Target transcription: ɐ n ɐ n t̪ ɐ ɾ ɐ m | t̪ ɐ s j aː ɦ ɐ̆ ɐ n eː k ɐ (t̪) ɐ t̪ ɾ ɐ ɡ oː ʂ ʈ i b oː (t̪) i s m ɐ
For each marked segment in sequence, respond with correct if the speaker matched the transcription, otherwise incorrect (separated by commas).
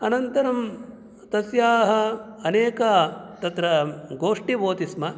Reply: correct, correct